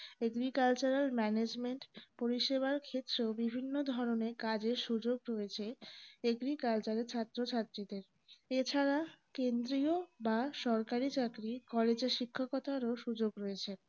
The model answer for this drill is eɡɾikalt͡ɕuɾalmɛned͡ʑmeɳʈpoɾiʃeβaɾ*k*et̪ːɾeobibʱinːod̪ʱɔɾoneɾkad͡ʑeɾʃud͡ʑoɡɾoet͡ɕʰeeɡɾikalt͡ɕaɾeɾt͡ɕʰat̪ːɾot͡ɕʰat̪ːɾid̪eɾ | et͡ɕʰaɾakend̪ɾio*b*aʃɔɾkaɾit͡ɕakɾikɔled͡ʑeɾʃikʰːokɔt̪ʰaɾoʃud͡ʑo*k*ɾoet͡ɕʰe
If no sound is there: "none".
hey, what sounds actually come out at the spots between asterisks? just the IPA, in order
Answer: kʰ, b, ɡ

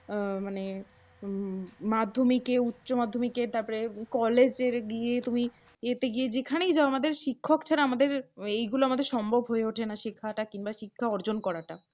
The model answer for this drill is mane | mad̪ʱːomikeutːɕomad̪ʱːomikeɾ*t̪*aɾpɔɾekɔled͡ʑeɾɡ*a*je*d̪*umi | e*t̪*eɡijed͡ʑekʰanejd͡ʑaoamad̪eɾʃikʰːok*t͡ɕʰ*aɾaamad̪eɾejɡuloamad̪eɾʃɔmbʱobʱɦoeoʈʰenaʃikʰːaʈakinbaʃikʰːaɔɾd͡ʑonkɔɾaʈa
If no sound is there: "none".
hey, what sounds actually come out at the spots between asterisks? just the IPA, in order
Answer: t̪, i, t̪, t̪, t͡ɕʰ

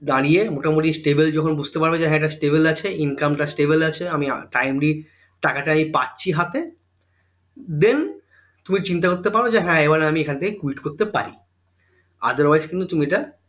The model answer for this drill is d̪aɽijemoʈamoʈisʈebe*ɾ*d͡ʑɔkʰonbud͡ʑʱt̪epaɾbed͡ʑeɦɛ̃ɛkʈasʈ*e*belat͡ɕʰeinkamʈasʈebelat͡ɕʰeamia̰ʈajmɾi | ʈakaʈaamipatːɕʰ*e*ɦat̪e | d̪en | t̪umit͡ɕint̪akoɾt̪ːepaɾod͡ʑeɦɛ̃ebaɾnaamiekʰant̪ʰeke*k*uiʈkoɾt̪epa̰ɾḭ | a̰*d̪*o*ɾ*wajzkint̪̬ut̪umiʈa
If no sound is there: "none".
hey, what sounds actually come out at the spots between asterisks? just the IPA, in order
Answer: l, e, i, k, d̪, ɾ

